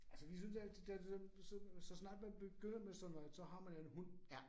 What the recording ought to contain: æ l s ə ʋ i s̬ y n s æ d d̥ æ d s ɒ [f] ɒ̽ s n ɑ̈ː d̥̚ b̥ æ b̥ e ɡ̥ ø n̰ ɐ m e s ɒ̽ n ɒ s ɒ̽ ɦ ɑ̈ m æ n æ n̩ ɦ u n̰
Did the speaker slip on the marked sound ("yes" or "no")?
yes